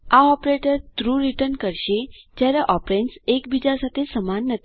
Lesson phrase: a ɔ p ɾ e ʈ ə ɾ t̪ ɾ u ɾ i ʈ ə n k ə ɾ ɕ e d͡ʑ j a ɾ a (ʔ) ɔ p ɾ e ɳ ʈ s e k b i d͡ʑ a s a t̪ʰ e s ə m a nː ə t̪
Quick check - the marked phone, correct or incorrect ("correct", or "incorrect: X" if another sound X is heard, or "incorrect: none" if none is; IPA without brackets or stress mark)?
correct